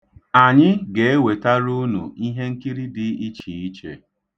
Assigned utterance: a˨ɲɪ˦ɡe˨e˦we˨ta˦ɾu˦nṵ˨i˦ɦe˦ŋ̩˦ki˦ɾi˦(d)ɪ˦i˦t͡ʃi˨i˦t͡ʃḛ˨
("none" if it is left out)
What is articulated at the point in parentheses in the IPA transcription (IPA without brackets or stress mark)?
d